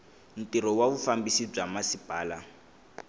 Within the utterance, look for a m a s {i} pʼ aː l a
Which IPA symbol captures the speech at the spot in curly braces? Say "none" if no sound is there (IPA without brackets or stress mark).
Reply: i